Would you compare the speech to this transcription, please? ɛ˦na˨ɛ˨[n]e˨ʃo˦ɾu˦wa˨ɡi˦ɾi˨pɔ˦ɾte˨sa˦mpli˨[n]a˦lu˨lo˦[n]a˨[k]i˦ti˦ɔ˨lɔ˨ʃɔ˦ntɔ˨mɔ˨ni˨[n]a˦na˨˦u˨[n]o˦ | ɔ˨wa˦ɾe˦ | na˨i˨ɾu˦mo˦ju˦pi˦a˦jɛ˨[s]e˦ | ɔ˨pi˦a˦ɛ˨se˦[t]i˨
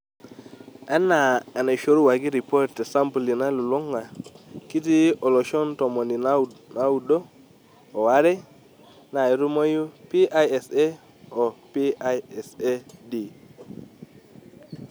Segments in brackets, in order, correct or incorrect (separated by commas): correct, correct, incorrect, correct, correct, incorrect, correct, incorrect